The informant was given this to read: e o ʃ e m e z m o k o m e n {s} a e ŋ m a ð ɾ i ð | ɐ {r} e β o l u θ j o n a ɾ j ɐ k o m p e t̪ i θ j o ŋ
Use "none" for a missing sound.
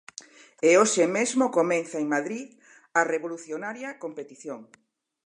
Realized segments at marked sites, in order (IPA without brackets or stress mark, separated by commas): θ, r